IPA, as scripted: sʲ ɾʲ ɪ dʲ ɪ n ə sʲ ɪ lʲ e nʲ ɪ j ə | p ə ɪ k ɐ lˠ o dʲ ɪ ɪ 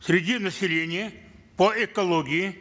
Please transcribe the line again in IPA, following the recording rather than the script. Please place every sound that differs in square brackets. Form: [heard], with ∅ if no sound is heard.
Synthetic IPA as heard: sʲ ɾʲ ɪ dʲ [i] n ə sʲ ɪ lʲ e nʲ ɪ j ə | p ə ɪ k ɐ lˠ o [ɡʲ] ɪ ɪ